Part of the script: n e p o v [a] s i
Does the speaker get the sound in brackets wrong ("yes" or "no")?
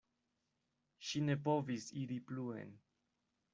yes